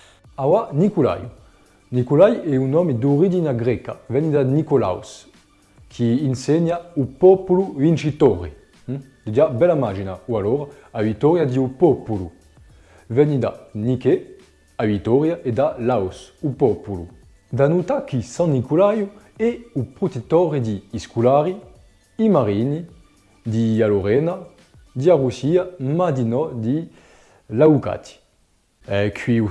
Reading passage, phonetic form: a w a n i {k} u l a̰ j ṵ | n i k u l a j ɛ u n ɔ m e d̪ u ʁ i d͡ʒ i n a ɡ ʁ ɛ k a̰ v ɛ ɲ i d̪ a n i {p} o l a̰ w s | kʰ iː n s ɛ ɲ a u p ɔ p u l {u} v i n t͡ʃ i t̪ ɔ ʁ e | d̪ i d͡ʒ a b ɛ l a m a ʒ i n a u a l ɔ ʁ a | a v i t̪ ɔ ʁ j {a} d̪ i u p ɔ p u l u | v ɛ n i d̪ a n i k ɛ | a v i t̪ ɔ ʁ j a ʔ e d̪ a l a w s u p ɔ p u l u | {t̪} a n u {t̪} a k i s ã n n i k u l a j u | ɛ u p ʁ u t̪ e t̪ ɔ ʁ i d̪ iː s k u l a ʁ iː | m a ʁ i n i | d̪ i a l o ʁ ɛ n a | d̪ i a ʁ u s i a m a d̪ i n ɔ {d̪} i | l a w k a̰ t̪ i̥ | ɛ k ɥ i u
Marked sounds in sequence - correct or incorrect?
correct, incorrect: k, correct, correct, incorrect: d̪, correct, correct

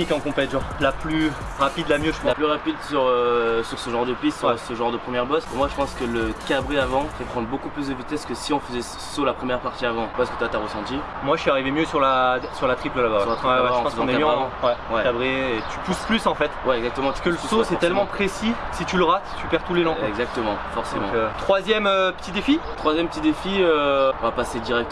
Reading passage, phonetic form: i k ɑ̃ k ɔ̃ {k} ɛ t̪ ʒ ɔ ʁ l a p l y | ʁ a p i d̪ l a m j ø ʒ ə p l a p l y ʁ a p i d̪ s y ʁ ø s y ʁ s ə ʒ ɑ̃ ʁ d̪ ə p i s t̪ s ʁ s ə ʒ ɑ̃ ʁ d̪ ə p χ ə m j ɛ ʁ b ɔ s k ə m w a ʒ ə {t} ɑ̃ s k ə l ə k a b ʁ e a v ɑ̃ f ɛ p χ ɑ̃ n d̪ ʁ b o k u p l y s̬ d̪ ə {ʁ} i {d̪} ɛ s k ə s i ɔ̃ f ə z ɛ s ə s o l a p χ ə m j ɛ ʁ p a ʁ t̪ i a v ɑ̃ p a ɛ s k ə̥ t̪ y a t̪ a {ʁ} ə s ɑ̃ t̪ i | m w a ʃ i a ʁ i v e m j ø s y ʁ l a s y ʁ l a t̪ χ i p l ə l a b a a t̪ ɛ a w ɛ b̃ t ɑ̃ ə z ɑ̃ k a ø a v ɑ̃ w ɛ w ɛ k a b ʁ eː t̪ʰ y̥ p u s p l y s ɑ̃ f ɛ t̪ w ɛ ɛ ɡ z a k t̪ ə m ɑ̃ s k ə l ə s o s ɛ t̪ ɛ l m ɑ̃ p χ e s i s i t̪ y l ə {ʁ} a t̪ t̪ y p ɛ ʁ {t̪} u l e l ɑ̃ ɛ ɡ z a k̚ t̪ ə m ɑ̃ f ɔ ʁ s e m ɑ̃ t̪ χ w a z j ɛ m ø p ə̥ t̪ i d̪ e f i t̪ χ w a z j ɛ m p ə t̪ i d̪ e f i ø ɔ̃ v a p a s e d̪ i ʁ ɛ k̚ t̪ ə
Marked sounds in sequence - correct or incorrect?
incorrect: p, incorrect: p, incorrect: v, incorrect: t̪, correct, correct, correct

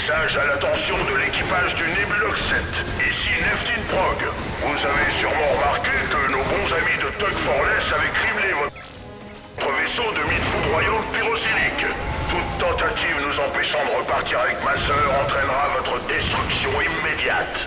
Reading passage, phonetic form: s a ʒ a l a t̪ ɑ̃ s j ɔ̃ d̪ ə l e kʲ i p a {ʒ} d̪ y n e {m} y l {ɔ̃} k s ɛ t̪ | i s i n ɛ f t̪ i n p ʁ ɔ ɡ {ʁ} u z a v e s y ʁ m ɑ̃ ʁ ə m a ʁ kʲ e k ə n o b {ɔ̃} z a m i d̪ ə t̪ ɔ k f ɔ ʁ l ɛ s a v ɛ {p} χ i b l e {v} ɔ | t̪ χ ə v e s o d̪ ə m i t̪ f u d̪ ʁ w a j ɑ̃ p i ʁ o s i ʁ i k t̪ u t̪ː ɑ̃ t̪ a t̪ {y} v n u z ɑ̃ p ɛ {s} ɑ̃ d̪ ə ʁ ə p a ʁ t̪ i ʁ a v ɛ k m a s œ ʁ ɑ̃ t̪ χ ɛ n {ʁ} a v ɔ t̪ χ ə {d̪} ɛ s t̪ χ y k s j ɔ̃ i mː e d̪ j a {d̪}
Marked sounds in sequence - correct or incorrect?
correct, incorrect: b, incorrect: ɔ, incorrect: v, correct, incorrect: k, correct, incorrect: i, incorrect: ʃ, correct, correct, incorrect: t̪

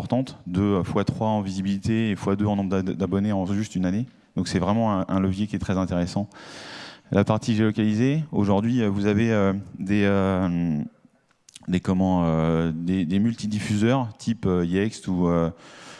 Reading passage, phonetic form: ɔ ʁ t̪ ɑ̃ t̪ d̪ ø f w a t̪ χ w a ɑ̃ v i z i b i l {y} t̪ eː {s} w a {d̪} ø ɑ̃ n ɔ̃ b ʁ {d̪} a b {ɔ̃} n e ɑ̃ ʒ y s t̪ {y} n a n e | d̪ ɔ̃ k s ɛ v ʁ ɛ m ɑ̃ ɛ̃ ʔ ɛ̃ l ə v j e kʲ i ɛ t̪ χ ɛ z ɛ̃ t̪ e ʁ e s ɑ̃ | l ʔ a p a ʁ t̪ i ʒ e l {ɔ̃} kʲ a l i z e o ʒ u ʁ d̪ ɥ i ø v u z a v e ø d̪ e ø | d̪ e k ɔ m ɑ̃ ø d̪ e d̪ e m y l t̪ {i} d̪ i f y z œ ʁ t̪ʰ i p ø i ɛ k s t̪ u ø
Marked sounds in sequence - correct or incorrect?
incorrect: i, incorrect: f, correct, correct, incorrect: ɔ, correct, incorrect: ɔ, correct

